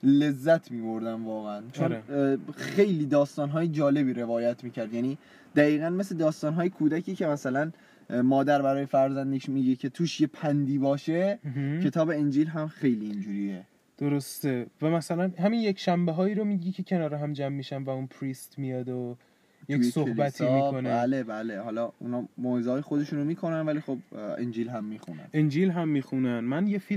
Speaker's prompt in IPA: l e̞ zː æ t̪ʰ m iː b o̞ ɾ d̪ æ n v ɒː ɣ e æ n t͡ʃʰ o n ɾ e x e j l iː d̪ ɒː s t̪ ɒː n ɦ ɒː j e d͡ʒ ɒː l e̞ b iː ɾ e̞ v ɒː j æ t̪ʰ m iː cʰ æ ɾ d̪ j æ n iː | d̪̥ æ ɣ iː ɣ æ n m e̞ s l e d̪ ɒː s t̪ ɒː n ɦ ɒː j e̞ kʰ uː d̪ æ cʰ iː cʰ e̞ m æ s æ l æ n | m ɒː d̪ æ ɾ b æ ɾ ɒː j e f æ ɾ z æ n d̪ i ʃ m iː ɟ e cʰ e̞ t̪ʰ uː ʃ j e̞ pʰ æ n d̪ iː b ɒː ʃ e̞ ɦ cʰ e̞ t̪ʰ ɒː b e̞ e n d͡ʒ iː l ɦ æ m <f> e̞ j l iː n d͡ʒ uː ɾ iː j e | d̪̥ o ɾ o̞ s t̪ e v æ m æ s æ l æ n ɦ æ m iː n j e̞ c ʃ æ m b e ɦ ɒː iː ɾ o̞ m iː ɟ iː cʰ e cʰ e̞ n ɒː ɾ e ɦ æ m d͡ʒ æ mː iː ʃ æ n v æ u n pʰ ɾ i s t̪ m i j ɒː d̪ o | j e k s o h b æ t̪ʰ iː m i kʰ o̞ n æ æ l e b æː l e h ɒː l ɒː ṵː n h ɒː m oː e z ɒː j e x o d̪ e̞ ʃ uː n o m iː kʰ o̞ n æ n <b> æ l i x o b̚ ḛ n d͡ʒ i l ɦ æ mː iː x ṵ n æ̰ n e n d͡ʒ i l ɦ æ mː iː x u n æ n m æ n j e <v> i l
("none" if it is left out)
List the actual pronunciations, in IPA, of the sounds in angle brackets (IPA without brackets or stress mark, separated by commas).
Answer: x, v, f